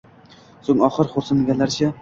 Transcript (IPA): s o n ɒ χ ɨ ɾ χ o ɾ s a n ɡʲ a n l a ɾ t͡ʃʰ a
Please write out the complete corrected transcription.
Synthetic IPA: s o ŋ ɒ χ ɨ ɾ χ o ɾ s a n ɡʲ a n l a ɾ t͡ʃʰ a